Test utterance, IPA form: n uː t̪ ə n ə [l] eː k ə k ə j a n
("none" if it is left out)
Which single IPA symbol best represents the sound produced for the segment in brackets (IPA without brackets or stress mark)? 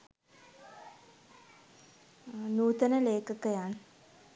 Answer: l